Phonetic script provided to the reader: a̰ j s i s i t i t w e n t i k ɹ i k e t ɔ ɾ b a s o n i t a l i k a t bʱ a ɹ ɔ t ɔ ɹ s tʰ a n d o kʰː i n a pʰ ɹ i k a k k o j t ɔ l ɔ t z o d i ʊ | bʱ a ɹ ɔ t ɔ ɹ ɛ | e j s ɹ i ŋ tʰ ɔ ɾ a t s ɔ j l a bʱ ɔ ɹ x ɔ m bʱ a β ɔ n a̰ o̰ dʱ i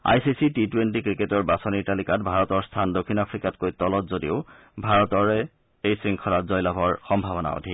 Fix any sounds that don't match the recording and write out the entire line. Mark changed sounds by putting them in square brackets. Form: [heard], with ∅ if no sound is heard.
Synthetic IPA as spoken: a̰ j s i s i t i t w e n t i k ɹ i k e t ɔ [ɹ] b a s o n i t a l i k a t bʱ a ɹ ɔ t ɔ ɹ s tʰ a n d o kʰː i n a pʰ ɹ i k a [t] k o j t ɔ l ɔ t z o d i ʊ | bʱ a ɹ ɔ t ɔ ɹ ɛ | e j s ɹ i ŋ [kʰ] ɔ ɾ a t [z] ɔ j l a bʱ ɔ ɹ x ɔ m bʱ a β ɔ n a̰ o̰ dʱ i